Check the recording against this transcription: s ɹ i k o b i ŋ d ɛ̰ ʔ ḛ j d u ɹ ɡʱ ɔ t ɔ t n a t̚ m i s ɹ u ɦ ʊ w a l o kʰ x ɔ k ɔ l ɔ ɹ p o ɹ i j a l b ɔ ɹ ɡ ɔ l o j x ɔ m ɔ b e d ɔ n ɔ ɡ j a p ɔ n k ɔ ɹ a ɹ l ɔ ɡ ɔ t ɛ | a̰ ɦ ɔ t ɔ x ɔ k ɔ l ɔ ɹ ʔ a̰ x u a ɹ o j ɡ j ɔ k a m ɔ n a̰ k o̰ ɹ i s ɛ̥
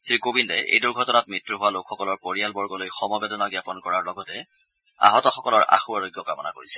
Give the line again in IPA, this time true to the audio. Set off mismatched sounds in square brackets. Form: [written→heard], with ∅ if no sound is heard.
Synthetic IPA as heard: s ɹ i k o b i [ŋ→n] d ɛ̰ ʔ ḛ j d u ɹ ɡʱ ɔ t ɔ [t→∅] n a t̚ m i [s→t] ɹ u ɦ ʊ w a l o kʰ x ɔ k ɔ l ɔ ɹ p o ɹ i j a l b ɔ ɹ ɡ ɔ l o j x ɔ m ɔ b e d ɔ n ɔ ɡ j a p ɔ n k ɔ ɹ a ɹ l ɔ ɡ ɔ t ɛ | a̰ ɦ ɔ t ɔ x ɔ k ɔ l ɔ ɹ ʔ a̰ x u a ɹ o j ɡ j ɔ k a m ɔ n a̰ k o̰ ɹ i s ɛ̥